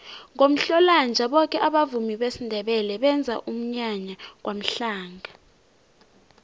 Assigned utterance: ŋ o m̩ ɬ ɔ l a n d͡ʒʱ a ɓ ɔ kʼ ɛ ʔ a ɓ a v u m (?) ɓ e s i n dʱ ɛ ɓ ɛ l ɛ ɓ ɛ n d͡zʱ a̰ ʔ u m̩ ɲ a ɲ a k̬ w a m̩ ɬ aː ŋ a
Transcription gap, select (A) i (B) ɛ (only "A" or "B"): A